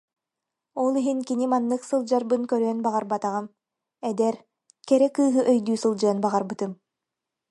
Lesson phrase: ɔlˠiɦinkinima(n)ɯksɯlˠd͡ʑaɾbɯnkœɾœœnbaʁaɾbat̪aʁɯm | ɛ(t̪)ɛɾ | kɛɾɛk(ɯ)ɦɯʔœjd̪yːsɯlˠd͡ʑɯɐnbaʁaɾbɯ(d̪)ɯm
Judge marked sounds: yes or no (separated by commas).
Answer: no, no, no, no